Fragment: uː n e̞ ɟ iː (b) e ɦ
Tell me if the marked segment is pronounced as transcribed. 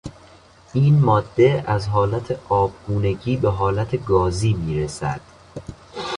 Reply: yes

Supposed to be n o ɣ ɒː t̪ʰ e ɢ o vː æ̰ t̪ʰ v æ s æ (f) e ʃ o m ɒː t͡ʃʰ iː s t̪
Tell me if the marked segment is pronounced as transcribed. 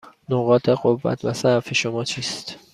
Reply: yes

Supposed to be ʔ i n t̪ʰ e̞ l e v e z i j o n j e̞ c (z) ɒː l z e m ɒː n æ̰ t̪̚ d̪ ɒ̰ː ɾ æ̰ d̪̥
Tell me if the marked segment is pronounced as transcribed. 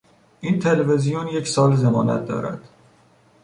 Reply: no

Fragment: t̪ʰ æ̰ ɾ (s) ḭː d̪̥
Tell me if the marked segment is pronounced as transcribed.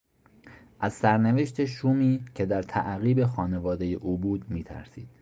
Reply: yes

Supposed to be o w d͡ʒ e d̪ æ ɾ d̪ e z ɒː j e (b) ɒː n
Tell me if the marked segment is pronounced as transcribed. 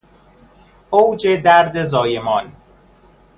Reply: no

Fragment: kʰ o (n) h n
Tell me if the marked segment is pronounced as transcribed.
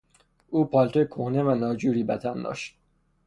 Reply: no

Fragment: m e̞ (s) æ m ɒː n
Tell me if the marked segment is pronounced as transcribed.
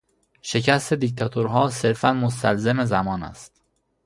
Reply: no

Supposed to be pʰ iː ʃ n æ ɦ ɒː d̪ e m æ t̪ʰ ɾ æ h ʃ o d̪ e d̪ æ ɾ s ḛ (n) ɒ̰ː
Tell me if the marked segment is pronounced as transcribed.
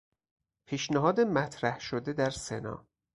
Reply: yes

